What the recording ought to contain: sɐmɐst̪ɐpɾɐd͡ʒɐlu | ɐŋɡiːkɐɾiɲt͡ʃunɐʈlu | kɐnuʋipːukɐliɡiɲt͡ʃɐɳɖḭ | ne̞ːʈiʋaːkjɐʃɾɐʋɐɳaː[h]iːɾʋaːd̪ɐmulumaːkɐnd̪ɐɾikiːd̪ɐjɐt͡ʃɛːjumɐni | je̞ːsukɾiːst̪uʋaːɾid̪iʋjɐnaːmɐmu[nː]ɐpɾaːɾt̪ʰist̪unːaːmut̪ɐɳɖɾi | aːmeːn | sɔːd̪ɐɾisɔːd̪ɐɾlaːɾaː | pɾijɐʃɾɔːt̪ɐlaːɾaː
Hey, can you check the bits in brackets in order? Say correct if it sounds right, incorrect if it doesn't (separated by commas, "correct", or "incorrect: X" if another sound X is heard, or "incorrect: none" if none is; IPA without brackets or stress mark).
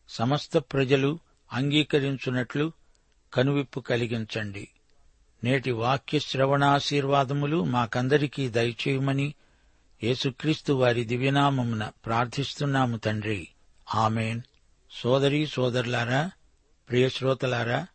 incorrect: ʃ, incorrect: n